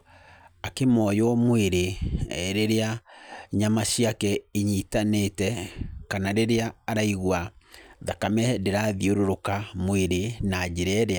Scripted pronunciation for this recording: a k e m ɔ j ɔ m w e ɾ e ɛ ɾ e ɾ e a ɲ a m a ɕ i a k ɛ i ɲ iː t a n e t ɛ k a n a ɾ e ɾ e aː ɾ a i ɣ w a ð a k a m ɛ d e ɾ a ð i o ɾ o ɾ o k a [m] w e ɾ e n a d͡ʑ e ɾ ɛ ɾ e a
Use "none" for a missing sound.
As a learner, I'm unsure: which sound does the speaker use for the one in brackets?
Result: m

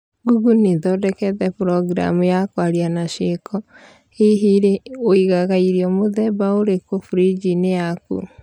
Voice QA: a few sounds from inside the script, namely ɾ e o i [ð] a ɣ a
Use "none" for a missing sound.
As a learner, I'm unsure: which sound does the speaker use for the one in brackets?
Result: ɣ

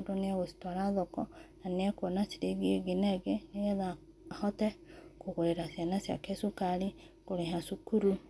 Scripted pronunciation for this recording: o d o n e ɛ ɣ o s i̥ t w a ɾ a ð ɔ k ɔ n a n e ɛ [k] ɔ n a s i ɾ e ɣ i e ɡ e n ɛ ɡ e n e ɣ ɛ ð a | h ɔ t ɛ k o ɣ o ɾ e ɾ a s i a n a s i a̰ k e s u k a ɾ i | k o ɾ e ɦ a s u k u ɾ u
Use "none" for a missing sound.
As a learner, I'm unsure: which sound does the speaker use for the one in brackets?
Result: k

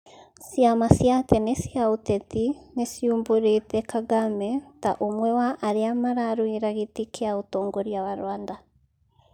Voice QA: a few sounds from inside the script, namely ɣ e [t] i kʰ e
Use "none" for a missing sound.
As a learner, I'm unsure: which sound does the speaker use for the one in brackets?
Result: t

